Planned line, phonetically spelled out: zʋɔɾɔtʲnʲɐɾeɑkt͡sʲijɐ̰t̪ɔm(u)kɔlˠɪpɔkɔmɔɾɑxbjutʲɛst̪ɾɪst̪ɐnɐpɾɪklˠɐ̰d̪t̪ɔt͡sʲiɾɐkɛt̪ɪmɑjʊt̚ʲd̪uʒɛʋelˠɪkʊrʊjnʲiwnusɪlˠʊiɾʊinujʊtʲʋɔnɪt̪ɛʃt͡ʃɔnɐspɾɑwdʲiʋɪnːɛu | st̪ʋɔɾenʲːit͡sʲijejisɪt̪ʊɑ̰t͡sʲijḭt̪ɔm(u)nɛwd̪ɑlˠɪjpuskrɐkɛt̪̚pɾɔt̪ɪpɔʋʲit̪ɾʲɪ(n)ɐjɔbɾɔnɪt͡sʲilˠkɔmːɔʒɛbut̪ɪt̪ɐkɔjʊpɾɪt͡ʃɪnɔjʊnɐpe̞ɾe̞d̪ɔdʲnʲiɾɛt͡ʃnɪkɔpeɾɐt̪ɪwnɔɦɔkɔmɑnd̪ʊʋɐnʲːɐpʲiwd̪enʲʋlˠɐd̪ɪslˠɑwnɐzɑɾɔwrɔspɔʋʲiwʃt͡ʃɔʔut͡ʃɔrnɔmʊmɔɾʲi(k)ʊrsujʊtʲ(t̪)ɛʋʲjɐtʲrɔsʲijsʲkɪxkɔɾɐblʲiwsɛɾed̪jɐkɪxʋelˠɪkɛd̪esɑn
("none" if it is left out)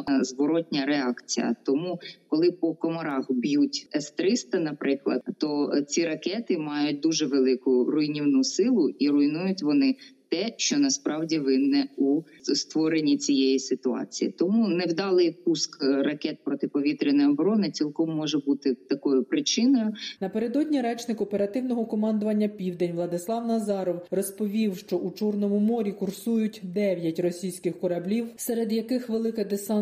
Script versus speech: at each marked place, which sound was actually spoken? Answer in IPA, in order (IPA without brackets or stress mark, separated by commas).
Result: u, u, n, k, d̪